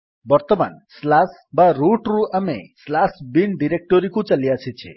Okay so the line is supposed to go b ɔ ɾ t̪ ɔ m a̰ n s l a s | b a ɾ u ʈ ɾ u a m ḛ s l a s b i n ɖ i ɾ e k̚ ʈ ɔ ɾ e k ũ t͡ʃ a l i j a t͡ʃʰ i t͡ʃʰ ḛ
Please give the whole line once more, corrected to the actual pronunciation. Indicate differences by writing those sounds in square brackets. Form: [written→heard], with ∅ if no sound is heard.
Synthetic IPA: b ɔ ɾ t̪ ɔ m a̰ n s l a s | b a ɾ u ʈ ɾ u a m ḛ s l a s b i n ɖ i ɾ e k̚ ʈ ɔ ɾ [e→i] k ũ t͡ʃ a l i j a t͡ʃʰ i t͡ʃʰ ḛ